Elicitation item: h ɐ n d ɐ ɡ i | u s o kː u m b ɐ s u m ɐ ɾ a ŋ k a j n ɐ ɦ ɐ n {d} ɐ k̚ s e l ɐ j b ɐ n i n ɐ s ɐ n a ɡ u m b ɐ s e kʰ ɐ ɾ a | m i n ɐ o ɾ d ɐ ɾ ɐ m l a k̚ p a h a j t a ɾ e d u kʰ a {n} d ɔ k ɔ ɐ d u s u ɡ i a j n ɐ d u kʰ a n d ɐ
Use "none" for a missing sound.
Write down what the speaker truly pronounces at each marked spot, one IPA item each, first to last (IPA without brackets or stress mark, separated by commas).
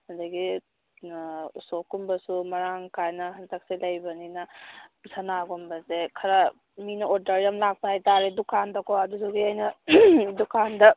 t, n